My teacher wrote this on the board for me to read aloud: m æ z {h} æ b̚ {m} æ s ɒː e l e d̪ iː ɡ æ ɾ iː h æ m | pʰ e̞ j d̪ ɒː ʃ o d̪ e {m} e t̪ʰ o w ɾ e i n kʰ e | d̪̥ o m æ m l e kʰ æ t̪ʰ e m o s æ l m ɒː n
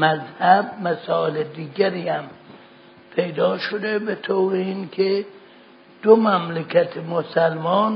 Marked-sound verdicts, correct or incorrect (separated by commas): correct, correct, incorrect